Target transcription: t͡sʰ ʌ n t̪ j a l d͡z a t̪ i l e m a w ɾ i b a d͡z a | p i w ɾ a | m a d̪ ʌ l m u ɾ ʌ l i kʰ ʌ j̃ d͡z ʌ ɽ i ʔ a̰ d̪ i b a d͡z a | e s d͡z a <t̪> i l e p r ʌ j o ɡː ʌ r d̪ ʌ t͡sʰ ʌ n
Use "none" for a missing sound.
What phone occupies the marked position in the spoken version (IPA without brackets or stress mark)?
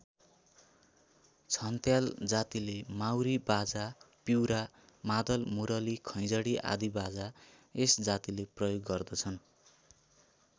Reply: t̪